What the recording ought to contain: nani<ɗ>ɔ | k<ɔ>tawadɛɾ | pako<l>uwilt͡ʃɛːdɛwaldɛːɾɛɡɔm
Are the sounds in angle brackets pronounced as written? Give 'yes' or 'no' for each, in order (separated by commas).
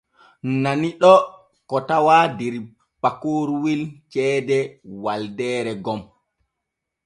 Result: yes, yes, no